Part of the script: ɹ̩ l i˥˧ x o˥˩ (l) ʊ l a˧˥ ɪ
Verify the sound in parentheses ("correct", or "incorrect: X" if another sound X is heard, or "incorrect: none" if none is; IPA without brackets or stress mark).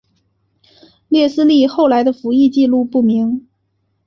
incorrect: none